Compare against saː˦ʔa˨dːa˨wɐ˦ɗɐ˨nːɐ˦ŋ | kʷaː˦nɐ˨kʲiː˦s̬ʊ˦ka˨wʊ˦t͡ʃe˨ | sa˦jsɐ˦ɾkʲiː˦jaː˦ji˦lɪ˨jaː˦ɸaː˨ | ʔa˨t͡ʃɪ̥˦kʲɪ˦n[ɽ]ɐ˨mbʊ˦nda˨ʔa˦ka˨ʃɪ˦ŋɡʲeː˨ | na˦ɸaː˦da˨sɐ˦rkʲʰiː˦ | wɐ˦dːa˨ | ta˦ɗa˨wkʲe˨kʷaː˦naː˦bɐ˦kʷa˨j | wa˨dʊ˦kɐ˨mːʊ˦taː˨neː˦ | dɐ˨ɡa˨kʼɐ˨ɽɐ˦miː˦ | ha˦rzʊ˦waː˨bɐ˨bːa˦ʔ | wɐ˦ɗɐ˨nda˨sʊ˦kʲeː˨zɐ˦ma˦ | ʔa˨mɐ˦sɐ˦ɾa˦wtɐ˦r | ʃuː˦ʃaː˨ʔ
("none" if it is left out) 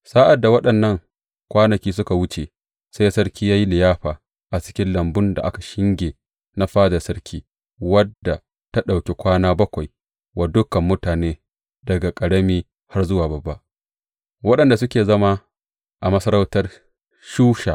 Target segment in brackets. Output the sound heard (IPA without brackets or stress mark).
l